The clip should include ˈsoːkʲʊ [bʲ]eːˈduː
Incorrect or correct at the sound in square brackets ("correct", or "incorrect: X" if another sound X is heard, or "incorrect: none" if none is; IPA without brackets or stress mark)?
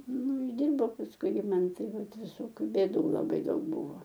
correct